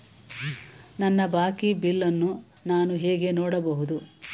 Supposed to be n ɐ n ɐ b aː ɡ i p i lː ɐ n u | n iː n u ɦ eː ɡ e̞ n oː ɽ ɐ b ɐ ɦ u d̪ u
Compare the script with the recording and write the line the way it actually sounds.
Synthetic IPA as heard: n ɐ nː ɐ b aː k i b i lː ɐ nː u | n aː n u ɦ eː ɡ e̞ n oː ɽ ɐ b ɐ ɦ u d̪ u